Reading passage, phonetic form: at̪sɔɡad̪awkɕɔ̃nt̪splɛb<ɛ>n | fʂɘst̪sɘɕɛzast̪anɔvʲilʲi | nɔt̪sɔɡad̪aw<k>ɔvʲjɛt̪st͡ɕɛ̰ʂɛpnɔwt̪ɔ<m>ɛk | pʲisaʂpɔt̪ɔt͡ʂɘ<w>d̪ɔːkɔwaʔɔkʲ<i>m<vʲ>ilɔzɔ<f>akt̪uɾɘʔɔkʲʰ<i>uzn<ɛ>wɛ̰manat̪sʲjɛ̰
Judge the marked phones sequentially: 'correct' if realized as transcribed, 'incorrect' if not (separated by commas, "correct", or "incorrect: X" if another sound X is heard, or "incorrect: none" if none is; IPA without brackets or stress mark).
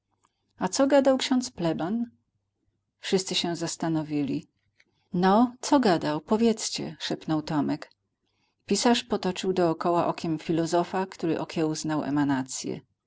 incorrect: a, incorrect: p, correct, correct, incorrect: ɛ, incorrect: fʲ, correct, incorrect: ɛ, incorrect: a